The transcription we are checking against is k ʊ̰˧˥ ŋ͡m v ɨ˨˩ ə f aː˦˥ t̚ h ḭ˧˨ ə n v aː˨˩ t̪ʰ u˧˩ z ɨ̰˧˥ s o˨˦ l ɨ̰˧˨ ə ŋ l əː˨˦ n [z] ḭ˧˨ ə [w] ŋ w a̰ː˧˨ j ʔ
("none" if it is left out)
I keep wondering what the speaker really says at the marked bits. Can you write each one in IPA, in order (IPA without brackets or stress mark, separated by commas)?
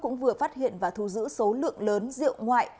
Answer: z, w